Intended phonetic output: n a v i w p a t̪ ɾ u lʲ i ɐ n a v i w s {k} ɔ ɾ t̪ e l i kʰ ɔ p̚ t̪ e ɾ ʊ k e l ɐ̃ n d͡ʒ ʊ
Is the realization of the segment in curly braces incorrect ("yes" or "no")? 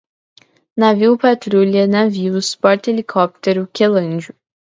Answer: yes